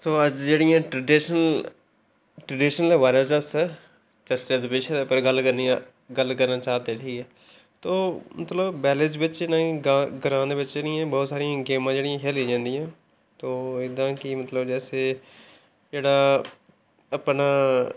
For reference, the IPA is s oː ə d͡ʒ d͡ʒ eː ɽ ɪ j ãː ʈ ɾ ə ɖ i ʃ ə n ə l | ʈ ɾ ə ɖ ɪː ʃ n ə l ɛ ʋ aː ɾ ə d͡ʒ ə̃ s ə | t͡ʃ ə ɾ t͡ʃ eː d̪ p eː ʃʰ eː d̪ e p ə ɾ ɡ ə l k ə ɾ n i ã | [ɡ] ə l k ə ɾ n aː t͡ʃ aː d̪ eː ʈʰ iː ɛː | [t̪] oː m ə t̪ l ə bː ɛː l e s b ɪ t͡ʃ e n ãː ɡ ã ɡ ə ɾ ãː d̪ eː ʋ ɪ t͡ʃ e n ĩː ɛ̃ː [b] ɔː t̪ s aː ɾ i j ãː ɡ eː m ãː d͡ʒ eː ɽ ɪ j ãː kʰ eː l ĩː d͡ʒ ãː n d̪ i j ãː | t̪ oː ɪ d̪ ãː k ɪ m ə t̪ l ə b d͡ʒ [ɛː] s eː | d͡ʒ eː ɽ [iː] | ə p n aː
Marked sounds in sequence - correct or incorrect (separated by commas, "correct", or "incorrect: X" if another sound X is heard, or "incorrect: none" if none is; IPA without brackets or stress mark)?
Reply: correct, correct, correct, correct, incorrect: aː